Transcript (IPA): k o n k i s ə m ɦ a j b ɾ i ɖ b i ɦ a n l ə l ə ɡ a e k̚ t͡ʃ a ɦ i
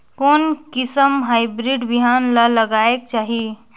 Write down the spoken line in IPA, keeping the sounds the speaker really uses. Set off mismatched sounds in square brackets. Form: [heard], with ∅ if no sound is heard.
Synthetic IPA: k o n k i s ə m ɦ a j b ɾ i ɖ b i ɦ a n l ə l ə ɡ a e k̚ t͡ʃ a ɦ i